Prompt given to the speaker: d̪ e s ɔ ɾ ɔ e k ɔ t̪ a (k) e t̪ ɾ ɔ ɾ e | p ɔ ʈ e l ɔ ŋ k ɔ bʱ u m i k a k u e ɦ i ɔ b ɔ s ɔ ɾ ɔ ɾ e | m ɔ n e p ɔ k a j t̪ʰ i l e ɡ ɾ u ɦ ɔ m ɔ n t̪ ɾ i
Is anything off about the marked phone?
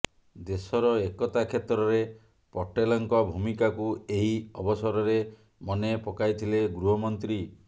yes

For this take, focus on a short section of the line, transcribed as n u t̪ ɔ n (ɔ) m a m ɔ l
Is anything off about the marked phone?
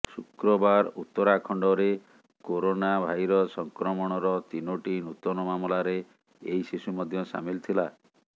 no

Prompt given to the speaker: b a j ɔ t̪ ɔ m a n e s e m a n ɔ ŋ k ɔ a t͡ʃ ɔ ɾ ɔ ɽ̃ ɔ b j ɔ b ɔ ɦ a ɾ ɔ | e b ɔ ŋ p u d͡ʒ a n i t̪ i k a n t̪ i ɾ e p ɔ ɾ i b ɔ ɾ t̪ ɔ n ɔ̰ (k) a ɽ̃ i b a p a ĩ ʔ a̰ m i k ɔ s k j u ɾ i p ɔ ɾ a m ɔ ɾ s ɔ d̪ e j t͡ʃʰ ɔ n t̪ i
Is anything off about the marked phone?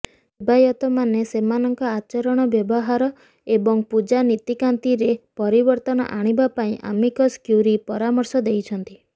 yes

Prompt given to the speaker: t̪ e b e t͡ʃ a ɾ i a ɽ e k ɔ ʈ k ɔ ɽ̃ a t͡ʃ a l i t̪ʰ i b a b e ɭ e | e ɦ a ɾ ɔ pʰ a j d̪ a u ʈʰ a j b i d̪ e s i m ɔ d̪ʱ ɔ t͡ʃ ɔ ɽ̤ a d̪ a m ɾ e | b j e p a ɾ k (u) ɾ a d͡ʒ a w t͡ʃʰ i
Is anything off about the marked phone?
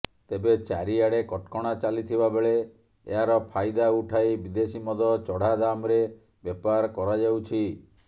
yes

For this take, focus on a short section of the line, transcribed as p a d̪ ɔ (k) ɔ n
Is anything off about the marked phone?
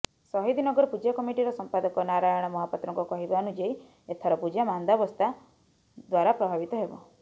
no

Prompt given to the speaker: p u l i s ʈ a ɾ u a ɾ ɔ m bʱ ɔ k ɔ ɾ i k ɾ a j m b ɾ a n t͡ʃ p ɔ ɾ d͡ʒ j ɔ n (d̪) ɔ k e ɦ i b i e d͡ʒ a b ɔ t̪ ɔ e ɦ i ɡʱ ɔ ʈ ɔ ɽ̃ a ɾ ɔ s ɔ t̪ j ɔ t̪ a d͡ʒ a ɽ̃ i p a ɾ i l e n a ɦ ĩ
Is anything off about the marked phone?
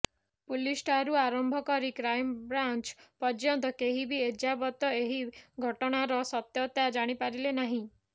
yes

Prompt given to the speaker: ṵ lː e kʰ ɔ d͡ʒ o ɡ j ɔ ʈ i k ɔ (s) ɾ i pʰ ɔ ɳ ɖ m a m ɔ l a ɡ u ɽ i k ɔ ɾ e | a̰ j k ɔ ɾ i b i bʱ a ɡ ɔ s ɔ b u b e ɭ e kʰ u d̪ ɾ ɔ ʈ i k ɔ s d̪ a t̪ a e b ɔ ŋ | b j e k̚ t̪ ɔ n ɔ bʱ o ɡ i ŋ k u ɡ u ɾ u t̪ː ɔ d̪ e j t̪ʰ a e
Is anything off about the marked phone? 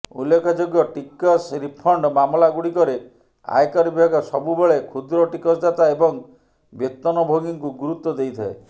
no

